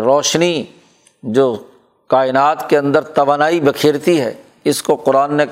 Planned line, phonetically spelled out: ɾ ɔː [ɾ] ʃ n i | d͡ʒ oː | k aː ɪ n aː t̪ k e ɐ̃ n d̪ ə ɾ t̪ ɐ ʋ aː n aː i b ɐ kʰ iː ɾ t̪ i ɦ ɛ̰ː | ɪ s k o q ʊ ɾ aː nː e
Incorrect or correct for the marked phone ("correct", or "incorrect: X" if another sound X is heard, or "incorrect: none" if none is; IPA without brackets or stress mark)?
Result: incorrect: none